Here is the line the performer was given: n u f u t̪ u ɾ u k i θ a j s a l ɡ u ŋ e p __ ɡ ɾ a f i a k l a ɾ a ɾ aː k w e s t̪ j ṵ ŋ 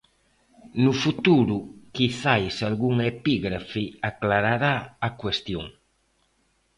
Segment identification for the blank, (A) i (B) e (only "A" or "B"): A